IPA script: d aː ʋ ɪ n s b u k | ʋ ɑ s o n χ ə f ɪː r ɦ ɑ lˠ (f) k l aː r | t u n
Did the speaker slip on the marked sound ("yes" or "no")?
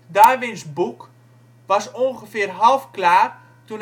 no